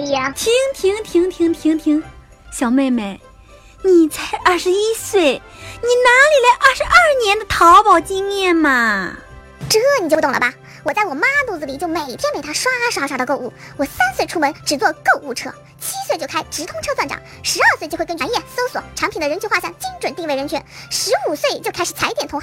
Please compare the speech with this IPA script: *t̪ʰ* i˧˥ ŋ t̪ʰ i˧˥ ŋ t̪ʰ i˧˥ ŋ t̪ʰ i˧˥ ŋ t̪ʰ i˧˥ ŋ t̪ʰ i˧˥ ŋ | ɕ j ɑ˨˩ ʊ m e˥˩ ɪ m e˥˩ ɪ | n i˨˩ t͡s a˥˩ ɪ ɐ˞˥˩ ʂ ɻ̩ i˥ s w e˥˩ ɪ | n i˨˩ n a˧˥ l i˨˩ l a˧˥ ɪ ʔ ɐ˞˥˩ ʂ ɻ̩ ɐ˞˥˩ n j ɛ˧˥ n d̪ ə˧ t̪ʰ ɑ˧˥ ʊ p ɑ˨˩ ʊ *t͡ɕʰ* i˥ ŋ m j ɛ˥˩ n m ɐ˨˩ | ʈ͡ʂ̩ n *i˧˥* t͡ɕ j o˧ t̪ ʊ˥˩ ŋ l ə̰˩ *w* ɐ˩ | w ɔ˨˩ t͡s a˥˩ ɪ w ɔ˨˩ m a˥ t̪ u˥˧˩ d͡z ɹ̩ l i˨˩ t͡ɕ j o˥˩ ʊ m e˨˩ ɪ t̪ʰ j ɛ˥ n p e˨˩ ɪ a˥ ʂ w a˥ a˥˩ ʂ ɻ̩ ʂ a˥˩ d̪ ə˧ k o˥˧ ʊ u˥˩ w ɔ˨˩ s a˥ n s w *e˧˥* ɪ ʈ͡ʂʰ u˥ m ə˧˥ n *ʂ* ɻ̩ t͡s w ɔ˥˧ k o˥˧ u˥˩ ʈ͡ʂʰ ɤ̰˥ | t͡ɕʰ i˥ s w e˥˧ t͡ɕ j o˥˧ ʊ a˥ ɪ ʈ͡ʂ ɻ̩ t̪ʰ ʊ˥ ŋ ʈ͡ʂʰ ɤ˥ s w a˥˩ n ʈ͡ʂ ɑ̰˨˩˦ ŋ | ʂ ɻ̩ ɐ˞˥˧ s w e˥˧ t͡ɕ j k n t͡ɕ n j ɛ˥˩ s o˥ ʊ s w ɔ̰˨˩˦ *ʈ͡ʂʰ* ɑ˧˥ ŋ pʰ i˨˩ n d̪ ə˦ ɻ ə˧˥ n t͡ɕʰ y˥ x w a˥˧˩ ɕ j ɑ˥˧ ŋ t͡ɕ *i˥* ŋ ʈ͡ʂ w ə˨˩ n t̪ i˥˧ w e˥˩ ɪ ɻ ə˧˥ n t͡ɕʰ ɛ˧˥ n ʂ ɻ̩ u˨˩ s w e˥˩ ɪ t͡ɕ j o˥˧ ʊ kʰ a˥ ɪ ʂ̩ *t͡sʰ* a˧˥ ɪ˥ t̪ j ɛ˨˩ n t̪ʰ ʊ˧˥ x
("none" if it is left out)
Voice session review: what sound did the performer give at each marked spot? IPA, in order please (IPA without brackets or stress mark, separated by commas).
t̪ʰ, t͡ɕ, i˨˩, b, e˥˩, ʈ͡ʂ, ʈ͡ʂʰ, i˥, t͡sʰ